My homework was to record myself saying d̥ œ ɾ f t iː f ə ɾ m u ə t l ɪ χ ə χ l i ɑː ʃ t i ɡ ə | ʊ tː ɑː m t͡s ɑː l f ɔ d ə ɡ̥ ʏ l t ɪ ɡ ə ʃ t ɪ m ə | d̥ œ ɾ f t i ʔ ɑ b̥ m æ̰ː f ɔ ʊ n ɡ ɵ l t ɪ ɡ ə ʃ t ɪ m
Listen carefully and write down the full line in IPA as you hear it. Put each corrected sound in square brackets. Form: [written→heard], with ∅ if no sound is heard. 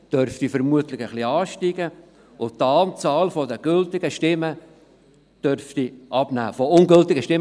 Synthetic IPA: d̥ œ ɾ f t [iː→i] f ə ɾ m u ə t l ɪ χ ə χ l i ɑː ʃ t i ɡ ə | ʊ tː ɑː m t͡s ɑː l f ɔ d ə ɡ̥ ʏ l t ɪ ɡ ə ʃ t ɪ m ə | d̥ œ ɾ f t i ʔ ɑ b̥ [m→n] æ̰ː f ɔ ʊ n ɡ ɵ l t ɪ ɡ ə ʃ t ɪ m